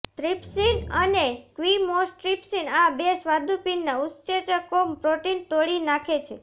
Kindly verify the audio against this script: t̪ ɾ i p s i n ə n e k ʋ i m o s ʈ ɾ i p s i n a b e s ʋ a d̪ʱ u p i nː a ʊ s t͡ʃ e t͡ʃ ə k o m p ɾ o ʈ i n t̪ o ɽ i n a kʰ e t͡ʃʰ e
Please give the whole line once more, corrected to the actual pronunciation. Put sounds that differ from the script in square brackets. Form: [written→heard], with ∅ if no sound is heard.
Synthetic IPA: t̪ ɾ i p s i n ə n e k ʋ i m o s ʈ ɾ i p s i n a b e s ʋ a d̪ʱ u p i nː a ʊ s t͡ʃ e t͡ʃ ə k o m p ɾ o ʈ i n t̪ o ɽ i n a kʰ e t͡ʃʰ e